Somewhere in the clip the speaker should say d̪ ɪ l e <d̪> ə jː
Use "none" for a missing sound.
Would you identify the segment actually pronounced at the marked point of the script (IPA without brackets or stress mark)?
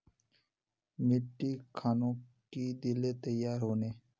t̪